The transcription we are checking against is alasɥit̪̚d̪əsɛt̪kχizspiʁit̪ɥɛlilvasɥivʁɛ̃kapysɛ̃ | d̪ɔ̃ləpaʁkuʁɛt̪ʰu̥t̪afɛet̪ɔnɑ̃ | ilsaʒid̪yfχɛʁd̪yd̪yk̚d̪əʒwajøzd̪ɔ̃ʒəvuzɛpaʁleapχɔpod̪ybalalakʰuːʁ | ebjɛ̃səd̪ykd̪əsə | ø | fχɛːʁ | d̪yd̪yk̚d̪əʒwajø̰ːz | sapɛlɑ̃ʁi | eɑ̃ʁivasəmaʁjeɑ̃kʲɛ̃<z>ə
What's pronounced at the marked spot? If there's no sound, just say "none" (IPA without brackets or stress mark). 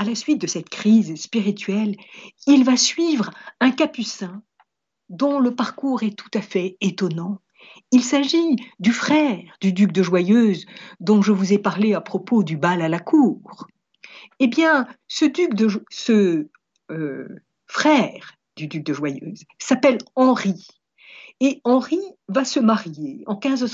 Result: z